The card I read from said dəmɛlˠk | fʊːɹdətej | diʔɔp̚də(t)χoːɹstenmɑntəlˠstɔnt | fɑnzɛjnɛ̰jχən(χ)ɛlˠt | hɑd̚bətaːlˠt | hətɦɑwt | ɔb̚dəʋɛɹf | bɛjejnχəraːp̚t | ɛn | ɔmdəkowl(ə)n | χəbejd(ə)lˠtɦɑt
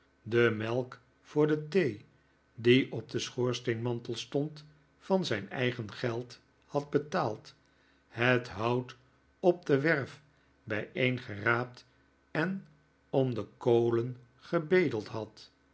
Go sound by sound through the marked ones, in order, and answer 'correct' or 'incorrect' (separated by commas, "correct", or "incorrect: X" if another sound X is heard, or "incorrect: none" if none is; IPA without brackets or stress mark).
incorrect: s, correct, correct, correct